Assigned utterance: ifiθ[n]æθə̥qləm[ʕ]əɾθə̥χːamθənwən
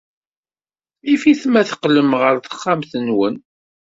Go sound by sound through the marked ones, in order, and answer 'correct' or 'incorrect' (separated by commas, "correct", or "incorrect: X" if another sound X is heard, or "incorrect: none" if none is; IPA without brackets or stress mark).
incorrect: m, incorrect: ʁ